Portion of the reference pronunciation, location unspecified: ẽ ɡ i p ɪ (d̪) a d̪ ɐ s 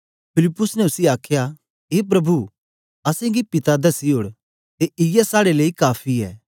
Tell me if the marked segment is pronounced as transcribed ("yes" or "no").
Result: no